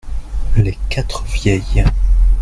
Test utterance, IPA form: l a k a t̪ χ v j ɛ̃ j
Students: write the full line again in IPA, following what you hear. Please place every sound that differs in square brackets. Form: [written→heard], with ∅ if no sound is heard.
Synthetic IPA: l [a→e] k a t̪ χ v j [ɛ̃→ɛ] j